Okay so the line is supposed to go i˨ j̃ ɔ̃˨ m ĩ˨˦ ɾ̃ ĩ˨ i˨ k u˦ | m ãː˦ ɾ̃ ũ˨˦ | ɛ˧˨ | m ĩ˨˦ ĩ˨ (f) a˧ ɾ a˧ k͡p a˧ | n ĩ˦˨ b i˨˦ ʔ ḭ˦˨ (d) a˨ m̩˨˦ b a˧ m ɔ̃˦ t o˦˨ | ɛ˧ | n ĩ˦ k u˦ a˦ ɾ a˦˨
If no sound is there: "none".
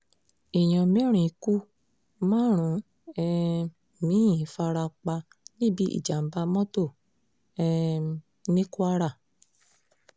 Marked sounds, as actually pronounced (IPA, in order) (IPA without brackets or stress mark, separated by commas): f, d͡ʒ